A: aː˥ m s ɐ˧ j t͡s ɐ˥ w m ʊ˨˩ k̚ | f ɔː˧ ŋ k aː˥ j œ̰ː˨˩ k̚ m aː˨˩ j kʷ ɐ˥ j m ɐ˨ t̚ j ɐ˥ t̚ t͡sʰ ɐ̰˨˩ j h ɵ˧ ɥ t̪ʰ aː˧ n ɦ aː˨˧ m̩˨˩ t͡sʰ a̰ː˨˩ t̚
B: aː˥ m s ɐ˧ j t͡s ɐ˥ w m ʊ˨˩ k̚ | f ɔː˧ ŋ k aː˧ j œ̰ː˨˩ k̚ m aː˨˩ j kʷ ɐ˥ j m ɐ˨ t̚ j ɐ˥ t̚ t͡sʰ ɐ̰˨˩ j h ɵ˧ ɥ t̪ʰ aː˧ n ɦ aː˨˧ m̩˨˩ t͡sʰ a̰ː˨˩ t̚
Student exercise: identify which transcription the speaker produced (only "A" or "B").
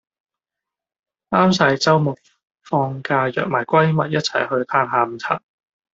B